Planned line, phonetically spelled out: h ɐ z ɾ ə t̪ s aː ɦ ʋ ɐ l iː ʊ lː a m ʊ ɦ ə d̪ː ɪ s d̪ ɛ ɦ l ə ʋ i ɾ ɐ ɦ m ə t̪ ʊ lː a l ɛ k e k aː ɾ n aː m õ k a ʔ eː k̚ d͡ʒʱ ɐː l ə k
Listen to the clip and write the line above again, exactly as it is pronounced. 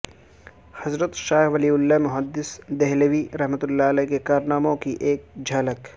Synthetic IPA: h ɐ z ɾ ə t̪ ʃ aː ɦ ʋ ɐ l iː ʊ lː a m ʊ ɦ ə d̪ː ɪ s d̪ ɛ ɦ l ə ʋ i ɾ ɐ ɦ m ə t̪ ʊ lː a l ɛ k e k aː ɾ n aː m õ k i ʔ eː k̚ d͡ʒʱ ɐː l ə k

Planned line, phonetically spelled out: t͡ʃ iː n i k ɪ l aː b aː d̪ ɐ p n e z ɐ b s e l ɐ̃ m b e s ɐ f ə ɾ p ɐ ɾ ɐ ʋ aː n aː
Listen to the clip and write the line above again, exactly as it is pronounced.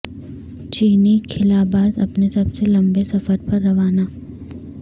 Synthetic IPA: t͡ʃ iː n i kʰ ɪ l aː b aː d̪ ɐ p n e s ɐ b s e l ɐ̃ m b e s ɐ f ə ɾ p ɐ ɾː ɐ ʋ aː n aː

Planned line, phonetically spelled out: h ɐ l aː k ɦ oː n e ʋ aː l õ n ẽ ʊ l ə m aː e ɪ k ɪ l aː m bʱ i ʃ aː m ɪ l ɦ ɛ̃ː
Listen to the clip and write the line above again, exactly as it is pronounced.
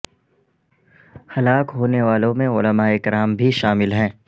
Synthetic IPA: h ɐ l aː k ɦ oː n e ʋ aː l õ m ẽ ʊ l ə m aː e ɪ k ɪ ɾ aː m bʱ i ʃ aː m ɪ l ɦ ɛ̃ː

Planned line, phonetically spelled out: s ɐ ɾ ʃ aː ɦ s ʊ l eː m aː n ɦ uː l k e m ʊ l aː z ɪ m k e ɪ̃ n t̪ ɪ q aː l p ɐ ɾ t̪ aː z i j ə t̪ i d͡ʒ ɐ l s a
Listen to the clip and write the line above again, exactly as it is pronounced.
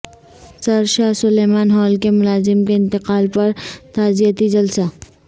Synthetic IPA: s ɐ ɾ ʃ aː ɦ s ʊ l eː m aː n ɦ ɔː l k e m ʊ l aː z ɪ m k e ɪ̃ n t̪ ɪ q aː l p ɐ ɾ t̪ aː z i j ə t̪ i d͡ʒ ɐ l s a

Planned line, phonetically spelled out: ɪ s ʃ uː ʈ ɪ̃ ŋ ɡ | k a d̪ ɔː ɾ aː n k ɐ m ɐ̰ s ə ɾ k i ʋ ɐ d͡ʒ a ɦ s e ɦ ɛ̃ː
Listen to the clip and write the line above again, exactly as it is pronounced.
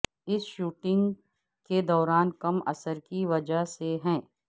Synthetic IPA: ɪ s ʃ uː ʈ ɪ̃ ŋ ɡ | k e d̪ ɔː ɾ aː n k ɐ m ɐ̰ s ə ɾ k i ʋ ɐ d͡ʒ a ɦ s e ɦ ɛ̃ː

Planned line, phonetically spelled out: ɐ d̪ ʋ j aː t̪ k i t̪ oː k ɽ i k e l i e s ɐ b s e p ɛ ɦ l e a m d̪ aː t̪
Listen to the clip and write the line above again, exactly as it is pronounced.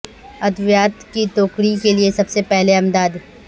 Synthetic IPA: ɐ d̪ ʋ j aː t̪ k i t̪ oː k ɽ i k e l i e s ɐ b s e p ɛ ɦ l e ɐ m d̪ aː d̪

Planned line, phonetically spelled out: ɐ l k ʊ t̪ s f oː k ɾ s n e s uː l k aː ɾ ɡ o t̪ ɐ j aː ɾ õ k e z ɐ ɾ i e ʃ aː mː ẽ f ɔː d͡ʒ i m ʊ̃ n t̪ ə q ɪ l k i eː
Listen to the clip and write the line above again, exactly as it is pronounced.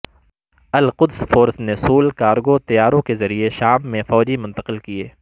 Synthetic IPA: ɐ l q ʊ d̪ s f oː ɾ s n e s uː l k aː ɾ ɡ o t̪ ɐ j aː ɾ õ k e z ɐ ɾ i e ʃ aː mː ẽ f ɔː d͡ʒ i m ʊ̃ n t̪ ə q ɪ l k i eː

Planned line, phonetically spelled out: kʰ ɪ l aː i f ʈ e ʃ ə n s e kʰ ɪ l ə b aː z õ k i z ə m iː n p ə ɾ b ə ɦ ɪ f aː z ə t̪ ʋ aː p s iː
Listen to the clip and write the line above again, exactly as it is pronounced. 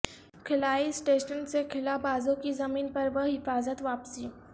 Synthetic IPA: kʰ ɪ l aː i s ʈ e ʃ ə n s e kʰ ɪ l a b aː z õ k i z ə m iː n p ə ɾ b ə ɦ ɪ f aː z ə t̪ ʋ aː p s iː

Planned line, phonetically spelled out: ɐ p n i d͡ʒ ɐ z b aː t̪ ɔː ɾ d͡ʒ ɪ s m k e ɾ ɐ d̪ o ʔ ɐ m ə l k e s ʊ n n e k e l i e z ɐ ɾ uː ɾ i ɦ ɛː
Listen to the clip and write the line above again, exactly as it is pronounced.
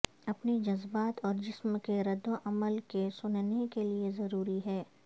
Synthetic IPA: ɐ p n i d͡ʒ ɐ z b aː t̪ ɔː ɾ d͡ʒ ɪ s m k e ɾ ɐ d̪ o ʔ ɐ m ə l k e s ʊ n n e k e l i e z ɐ ɾ uː ɾ i ɦ ɛː

